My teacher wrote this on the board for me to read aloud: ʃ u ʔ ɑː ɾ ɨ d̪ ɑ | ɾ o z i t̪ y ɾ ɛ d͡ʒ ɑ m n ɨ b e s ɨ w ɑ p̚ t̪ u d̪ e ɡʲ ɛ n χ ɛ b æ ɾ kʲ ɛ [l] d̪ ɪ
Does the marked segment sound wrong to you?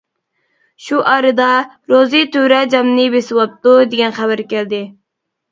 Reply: no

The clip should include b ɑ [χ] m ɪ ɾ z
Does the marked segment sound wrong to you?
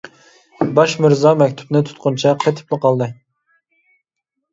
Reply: yes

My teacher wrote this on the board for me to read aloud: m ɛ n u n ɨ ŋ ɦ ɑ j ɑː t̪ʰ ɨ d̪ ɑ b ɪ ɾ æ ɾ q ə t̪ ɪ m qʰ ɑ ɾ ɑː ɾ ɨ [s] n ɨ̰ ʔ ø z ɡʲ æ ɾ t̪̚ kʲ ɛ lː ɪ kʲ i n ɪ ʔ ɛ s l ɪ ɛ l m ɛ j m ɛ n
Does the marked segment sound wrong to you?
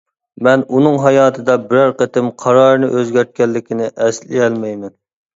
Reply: yes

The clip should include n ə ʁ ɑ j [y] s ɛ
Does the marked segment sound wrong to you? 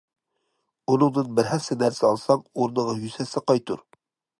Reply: no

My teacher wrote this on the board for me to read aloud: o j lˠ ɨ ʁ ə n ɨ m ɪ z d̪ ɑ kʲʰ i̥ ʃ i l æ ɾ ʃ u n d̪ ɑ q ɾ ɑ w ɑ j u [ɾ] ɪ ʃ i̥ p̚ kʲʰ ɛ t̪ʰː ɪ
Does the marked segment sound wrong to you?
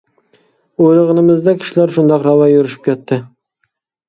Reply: no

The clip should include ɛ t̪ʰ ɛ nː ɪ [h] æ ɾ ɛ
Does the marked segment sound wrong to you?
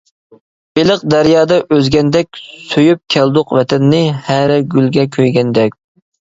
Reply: no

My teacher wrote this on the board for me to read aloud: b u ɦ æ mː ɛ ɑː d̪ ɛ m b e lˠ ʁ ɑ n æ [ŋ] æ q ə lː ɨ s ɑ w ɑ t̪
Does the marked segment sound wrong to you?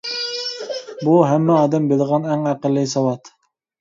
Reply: no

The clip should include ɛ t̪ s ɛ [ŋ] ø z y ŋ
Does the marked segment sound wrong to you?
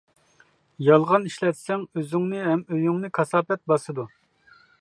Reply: no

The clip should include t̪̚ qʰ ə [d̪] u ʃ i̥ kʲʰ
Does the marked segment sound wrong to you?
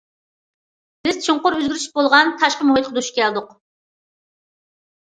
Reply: no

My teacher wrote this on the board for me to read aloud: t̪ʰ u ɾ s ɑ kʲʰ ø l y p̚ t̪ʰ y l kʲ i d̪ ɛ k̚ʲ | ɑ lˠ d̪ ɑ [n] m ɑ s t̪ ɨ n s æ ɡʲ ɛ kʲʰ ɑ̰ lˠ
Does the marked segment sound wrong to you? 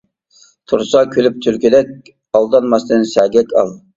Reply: no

